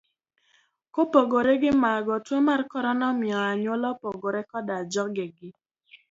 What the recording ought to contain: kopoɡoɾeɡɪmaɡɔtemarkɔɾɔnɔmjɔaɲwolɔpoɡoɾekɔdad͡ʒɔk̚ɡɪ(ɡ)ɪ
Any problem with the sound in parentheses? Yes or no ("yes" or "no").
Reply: no